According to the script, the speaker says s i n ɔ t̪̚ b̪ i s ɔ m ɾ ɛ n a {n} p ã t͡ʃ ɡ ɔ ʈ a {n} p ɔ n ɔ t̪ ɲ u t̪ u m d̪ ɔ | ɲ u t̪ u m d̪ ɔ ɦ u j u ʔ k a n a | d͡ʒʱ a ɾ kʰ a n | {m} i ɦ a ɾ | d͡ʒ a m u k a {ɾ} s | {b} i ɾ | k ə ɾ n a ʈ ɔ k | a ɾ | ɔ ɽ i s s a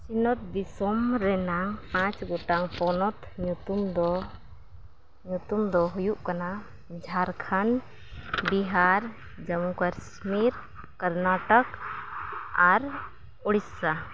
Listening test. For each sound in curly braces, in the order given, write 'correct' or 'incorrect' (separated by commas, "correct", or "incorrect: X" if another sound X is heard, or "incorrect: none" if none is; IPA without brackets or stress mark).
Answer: incorrect: ŋ, incorrect: ŋ, incorrect: b, correct, incorrect: m